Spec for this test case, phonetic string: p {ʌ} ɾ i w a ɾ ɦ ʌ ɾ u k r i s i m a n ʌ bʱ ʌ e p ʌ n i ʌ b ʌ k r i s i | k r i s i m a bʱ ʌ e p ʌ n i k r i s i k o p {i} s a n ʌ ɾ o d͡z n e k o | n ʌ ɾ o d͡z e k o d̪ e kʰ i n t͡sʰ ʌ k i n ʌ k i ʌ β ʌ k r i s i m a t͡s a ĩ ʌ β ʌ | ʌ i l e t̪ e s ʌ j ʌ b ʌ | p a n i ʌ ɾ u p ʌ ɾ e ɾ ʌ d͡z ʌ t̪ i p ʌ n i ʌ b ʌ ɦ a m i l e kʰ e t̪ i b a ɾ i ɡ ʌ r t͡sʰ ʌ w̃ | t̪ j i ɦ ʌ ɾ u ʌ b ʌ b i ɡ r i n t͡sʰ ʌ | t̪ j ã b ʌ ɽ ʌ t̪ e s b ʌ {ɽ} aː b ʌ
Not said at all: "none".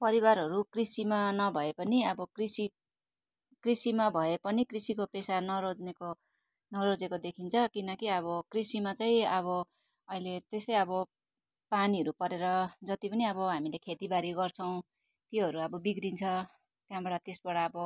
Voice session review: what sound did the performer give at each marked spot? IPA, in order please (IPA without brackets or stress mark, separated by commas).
ʌ, e, ɽ